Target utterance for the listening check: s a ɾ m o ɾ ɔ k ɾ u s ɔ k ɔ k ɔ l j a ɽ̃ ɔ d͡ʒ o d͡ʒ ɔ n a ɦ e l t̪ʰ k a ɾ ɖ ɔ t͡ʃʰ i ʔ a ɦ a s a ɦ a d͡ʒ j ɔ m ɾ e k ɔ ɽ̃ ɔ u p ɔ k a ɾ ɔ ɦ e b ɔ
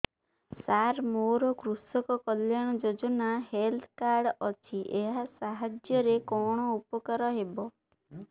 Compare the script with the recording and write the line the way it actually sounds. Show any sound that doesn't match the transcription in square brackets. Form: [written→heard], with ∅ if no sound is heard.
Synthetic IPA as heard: s a ɾ m o ɾ ɔ k ɾ u s ɔ k ɔ k ɔ l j a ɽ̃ ɔ d͡ʒ o d͡ʒ ɔ n a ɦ e l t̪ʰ k a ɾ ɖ ɔ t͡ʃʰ i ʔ [a→e] ɦ a s a ɦ a d͡ʒ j ɔ [m→∅] ɾ e k ɔ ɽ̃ ɔ u p ɔ k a ɾ ɔ ɦ e b ɔ